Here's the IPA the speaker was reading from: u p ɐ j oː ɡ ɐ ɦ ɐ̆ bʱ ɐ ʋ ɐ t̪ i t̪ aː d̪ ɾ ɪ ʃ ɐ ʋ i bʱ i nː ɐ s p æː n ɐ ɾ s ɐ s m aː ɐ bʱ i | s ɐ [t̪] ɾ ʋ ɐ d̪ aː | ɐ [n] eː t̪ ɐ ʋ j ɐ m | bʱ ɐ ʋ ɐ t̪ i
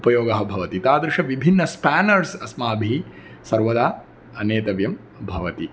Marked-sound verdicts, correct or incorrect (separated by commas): incorrect, correct